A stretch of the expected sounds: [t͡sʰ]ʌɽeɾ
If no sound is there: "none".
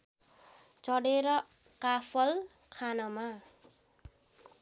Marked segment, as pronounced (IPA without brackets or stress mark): t͡s